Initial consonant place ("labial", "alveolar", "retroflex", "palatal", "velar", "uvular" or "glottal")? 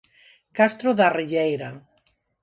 velar